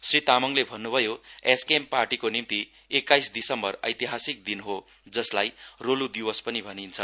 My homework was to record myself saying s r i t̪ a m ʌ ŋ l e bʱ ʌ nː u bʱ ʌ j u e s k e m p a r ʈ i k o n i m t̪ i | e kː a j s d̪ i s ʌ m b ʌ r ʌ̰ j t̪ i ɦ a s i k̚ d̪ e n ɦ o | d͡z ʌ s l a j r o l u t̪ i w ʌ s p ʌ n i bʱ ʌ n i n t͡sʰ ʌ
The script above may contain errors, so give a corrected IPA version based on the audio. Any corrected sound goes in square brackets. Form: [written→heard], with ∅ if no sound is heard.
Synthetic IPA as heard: s r i t̪ a m ʌ ŋ l e bʱ ʌ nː u bʱ ʌ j [u→o] e s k e m p a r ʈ i k o n i m t̪ i | e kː a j s d̪ i s ʌ m b ʌ r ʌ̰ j t̪ i ɦ a s i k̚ d̪ [e→i] n ɦ o | d͡z ʌ s l a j r o l u [t̪→d̪] i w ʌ s p ʌ n i bʱ ʌ n i n t͡sʰ ʌ

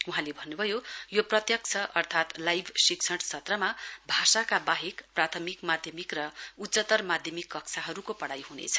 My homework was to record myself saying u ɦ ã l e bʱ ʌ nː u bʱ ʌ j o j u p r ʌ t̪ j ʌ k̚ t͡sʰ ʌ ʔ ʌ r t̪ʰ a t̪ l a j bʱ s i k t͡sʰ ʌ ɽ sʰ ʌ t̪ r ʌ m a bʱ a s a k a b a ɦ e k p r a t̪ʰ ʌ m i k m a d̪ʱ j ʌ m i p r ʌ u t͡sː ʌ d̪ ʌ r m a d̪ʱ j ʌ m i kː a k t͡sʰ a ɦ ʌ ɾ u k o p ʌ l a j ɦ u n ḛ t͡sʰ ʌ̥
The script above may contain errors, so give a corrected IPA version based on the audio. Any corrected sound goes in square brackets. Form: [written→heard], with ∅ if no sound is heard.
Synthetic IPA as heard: u ɦ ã l e bʱ ʌ nː u bʱ ʌ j o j [u→o] p r ʌ t̪ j ʌ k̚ t͡sʰ ʌ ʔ ʌ r t̪ʰ a t̪ l a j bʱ s i k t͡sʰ ʌ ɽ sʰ ʌ t̪ r ʌ m a bʱ a s a k a b a ɦ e k p r a t̪ʰ ʌ m i k m a d̪ʱ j ʌ m i [p→k] r ʌ u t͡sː ʌ [d̪→t̪] ʌ r m a d̪ʱ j ʌ m i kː [a→ʌ] k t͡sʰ a ɦ ʌ ɾ u k o p ʌ [l→ɽ] a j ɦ u n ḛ t͡sʰ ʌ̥

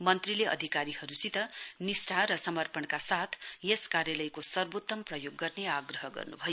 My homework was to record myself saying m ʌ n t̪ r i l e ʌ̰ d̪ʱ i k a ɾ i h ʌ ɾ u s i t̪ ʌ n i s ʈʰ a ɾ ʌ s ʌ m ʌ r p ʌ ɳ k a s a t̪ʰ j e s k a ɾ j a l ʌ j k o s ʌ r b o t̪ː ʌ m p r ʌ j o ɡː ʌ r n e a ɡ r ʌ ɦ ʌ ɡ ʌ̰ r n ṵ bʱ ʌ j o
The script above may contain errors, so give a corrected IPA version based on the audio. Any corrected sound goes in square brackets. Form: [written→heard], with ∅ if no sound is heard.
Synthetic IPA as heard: m ʌ n t̪ r i l e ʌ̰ d̪ʱ i k a ɾ i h ʌ ɾ u s i t̪ ʌ n i s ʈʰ a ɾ ʌ s ʌ m ʌ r p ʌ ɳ k a s a t̪ʰ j e s k a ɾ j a l ʌ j k o s ʌ r b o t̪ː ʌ m p r ʌ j o ɡː ʌ r n e a ɡ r ʌ ɦ ʌ ɡ ʌ̰ r n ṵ bʱ ʌ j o

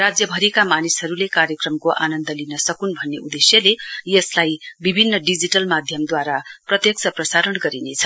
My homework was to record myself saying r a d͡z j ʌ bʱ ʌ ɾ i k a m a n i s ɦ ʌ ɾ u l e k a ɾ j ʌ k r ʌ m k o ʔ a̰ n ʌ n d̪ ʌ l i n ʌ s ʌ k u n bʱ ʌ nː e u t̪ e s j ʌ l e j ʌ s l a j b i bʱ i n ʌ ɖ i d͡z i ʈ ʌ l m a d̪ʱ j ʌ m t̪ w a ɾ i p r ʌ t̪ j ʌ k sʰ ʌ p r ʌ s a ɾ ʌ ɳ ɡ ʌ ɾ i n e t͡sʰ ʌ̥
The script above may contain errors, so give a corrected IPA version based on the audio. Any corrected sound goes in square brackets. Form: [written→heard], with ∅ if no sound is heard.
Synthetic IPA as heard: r a d͡z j ʌ bʱ ʌ ɾ i k a m a n i s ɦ ʌ ɾ u l e k a ɾ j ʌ k r ʌ m k o ʔ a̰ n ʌ n d̪ ʌ l i n ʌ s ʌ k u n bʱ ʌ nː e u [t̪→d̪] e s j ʌ l e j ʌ s l a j b i bʱ i [n→nː] ʌ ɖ i d͡z i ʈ ʌ l m a d̪ʱ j ʌ m [t̪→d̪] w a ɾ [i→a] p r ʌ t̪ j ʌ k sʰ ʌ p r ʌ s a ɾ ʌ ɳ ɡ ʌ ɾ i n e t͡sʰ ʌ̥

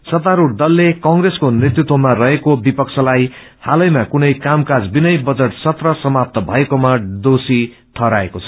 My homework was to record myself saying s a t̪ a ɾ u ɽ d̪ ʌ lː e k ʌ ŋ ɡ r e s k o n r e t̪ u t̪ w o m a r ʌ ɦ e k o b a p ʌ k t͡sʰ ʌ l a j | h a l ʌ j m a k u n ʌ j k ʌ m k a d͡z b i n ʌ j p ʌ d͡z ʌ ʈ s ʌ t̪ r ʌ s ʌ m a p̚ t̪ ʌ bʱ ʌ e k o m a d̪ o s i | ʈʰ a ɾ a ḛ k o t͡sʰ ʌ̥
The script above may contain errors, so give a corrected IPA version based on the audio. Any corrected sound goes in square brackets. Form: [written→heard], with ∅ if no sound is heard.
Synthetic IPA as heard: s [a→ʌ] t̪ a ɾ u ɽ d̪ ʌ lː e k ʌ ŋ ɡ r e s k o n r e t̪ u t̪ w o m a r ʌ ɦ e k o b [a→i] p ʌ k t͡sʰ ʌ l a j | h a l ʌ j m a k u n ʌ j k [ʌ→a] m k a d͡z b i n ʌ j [p→b] ʌ d͡z ʌ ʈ s ʌ t̪ r ʌ s ʌ m a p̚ t̪ ʌ bʱ ʌ e k o m a d̪ o s i | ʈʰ [a→ʌ] ɾ a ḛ k o t͡sʰ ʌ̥

